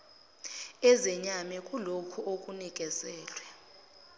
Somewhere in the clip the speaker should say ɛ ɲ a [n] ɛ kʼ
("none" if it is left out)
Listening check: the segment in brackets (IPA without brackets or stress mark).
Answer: m